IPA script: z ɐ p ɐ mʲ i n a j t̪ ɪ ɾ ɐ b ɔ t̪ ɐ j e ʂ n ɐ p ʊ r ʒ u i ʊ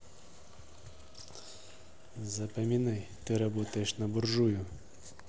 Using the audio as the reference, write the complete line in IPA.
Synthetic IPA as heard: z ɐ p ɐ mʲ i n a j t̪ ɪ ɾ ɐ b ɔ t̪ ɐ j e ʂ n ɐ b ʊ r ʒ u j ʊ